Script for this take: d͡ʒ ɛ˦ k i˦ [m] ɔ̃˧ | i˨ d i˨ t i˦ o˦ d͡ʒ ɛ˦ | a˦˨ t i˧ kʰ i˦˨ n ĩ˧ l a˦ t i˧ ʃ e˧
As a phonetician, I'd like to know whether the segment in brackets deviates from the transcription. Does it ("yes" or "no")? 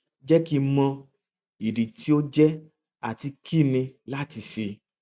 no